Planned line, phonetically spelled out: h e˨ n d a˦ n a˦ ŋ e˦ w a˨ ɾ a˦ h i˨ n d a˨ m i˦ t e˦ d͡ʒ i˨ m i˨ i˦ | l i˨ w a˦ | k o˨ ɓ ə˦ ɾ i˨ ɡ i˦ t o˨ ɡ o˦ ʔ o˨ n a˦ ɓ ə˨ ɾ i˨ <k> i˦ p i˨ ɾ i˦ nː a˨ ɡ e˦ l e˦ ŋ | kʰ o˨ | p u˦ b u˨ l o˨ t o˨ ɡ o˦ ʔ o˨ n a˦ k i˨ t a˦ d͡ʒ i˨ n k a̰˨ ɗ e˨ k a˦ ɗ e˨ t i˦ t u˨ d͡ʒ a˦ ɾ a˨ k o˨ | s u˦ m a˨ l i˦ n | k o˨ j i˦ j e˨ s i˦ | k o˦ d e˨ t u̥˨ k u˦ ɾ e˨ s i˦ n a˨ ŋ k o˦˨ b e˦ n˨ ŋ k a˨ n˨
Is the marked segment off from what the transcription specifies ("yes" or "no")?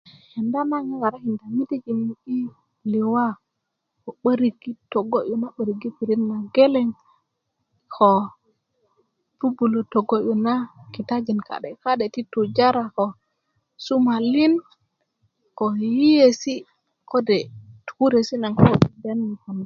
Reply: yes